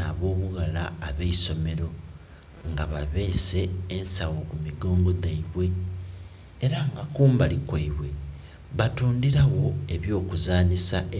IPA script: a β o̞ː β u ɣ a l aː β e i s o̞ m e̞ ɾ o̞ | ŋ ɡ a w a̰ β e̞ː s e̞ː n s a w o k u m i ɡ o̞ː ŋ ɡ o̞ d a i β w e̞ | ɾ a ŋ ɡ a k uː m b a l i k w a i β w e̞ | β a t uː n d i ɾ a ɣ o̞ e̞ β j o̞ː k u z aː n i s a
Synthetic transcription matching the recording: a β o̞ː β u ɣ a l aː β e i s o̞ m e̞ ɾ o̞ | ŋ ɡ a β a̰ β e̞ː s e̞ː n s a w o k u m i ɡ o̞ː ŋ ɡ o̞ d a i β w e̞ | ɾ a ŋ ɡ a k uː m b a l i k w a i β w e̞ | β a t uː n d i ɾ a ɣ o̞ e̞ β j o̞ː k u z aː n i s a